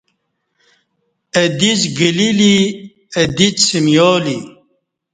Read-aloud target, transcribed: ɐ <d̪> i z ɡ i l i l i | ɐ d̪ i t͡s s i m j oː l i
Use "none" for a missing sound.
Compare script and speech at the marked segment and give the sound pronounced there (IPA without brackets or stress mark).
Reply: d̪